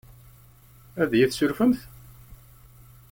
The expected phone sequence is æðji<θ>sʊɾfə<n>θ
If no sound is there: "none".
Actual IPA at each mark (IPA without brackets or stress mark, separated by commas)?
θ, m